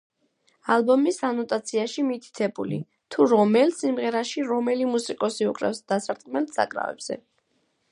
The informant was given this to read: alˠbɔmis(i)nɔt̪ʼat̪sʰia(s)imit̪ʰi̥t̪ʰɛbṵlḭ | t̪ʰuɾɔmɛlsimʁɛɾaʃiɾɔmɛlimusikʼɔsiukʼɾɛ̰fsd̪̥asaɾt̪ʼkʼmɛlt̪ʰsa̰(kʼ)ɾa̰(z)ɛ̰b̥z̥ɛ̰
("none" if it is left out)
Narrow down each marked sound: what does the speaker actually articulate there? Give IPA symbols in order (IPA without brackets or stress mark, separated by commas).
a, ʃ, kʼ, v